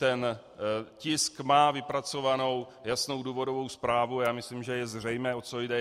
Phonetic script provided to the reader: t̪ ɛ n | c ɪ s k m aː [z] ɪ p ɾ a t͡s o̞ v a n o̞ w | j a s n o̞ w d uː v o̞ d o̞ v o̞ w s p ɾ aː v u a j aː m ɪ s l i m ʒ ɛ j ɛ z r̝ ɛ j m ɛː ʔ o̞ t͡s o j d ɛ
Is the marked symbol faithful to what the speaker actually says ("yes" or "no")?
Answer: no